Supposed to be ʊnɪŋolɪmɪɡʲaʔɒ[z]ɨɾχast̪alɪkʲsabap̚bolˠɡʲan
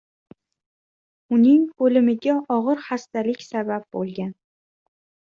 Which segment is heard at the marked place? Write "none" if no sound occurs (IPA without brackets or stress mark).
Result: ʁ